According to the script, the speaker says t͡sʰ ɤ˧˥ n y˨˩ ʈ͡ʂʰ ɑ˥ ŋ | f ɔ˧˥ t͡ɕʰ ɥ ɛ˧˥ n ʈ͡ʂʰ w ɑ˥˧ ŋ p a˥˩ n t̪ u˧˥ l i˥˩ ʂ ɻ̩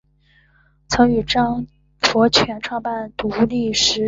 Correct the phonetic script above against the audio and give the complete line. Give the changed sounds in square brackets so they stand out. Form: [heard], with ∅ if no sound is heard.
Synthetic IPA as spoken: t͡sʰ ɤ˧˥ [ŋ] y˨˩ [ʈ͡ʂ] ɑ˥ ŋ | f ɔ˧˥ t͡ɕʰ ɥ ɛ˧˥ n ʈ͡ʂʰ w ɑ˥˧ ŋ p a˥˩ n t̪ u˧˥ l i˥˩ ʂ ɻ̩